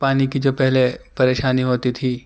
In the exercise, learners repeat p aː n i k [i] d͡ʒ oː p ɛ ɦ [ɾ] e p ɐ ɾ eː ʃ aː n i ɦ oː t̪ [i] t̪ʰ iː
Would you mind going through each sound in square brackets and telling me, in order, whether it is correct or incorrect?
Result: correct, incorrect, correct

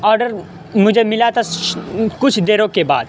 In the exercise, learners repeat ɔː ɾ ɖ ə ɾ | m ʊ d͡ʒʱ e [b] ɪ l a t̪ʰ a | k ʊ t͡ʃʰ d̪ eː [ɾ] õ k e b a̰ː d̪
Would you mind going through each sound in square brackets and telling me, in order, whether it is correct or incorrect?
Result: incorrect, correct

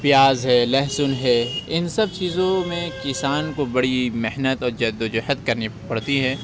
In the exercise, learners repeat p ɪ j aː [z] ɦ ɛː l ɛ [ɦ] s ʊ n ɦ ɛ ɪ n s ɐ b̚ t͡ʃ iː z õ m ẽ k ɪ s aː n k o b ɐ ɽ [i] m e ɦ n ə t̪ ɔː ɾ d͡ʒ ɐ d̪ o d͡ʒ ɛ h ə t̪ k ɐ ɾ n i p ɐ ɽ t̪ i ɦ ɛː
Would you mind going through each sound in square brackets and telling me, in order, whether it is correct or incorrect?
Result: correct, correct, correct

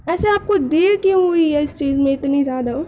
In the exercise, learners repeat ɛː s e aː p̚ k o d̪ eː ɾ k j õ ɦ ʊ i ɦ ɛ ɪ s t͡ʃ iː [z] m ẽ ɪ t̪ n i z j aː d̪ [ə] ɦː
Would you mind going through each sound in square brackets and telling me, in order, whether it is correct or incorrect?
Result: correct, incorrect

